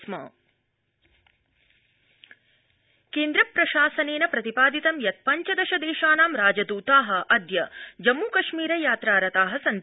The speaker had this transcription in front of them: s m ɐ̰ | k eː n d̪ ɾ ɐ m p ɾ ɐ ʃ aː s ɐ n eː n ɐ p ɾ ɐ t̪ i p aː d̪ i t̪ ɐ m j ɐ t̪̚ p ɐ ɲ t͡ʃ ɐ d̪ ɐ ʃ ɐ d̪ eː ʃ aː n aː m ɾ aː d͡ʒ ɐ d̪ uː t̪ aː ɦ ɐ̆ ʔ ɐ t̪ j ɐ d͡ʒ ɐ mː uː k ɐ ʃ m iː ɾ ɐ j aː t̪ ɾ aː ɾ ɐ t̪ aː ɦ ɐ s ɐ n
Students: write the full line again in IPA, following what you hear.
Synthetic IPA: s m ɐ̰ | k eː n d̪ ɾ ɐ p ɾ ɐ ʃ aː s ɐ n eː n ɐ p ɾ ɐ t̪ i p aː d̪ i t̪ ɐ m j ɐ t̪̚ p ɐ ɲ t͡ʃ ɐ d̪ ɐ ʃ ɐ d̪ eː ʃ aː n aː m ɾ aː d͡ʒ ɐ d̪ uː t̪ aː ɦ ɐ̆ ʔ ɐ d̪ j ɐ d͡ʒ ɐ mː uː k ɐ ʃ m iː ɾ ɐ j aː t̪ ɾ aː ɾ ɐ t̪ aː ɦ ɐ s ɐ n

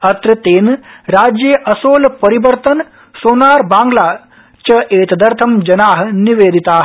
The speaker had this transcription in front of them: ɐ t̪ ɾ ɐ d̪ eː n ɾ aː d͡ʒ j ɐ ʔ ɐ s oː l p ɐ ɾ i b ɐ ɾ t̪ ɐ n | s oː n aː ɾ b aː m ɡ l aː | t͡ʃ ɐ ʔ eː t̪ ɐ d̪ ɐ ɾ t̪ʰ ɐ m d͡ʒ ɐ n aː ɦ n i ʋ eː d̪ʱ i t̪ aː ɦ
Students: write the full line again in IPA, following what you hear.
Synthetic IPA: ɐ t̪ ɾ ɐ t̪ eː n ɾ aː d͡ʒ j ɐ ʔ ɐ s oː l p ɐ ɾ i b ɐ ɾ t̪ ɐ n | s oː n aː ɾ b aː ŋ ɡ l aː | t͡ʃ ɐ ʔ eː t̪ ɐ d̪ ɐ ɾ t̪ʰ ɐ m d͡ʒ ɐ n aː ɦ n i ʋ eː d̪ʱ i t̪ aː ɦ

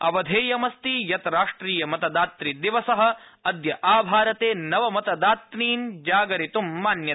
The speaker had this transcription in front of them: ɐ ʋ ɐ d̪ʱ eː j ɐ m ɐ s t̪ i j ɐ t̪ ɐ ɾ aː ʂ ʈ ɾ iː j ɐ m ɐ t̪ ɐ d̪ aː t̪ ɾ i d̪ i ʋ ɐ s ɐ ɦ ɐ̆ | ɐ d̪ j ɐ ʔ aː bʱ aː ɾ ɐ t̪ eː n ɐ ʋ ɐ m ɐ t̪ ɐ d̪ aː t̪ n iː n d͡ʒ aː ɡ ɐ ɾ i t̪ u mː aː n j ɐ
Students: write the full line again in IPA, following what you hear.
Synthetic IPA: ɐ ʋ ɐ d̪ʱ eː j ɐ m ɐ s t̪ i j ɐ t̪ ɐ ɾ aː ʂ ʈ ɾ iː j ɐ m ɐ t̪ ɐ d̪ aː t̪ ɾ i d̪ i ʋ ɐ s ɐ ɦ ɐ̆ | ɐ d̪ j ɐ ʔ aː bʱ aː ɾ ɐ t̪ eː n ɐ ʋ ɐ m ɐ t̪ ɐ d̪ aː t̪ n iː n d͡ʒ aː ɡ ɐ ɾ i t̪ u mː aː n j ɐ

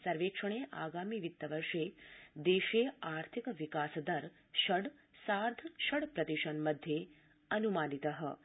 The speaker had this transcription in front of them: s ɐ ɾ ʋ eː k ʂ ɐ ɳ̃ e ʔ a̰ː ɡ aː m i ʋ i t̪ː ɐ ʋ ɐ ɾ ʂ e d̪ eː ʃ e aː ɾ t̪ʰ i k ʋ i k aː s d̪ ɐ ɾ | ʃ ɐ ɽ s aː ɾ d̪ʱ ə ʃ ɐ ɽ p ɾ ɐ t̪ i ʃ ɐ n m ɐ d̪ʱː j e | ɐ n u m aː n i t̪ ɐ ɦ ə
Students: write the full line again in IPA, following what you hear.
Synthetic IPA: s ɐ ɾ ʋ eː k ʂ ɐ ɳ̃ e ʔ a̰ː ɡ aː m i ʋ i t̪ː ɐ ʋ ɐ ɾ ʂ e d̪ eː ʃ e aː ɾ t̪ʰ i k ʋ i k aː s d̪ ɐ ɾ | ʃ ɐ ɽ s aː ɾ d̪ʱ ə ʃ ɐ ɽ p ɾ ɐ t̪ i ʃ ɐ n m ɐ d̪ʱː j e | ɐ n u m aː n i t̪ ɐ ɦ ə

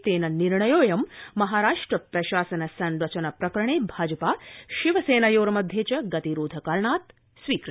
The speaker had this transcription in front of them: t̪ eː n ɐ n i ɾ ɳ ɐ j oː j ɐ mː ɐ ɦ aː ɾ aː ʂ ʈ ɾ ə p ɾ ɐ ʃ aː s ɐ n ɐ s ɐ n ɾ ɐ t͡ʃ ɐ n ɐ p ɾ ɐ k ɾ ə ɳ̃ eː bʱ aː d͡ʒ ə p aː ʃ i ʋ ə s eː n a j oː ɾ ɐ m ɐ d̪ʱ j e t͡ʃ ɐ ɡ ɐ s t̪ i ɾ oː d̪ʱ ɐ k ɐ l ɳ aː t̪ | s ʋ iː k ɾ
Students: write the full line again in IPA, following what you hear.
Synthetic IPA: t̪ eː n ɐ n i ɾ ɳ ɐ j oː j ɐ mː ɐ ɦ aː ɾ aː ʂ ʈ ɾ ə p ɾ ɐ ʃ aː s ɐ n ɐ s ɐ n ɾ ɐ t͡ʃ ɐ n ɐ p ɾ ɐ k ɾ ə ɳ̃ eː bʱ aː d͡ʒ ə p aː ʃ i ʋ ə s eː n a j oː ɾ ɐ m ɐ d̪ʱ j e t͡ʃ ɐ ɡ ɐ t̪ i ɾ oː d̪ʱ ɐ k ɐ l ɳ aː t̪ | s ʋ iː k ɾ

